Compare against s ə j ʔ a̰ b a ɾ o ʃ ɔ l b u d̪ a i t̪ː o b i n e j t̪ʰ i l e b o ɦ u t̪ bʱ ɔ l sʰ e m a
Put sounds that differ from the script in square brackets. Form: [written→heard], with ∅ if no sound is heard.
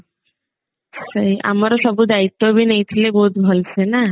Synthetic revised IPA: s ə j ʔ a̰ [b→m] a ɾ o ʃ ɔ [l→∅] b u d̪ a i t̪ː o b i n e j t̪ʰ i l e b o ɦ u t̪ bʱ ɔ l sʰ e [m→n] a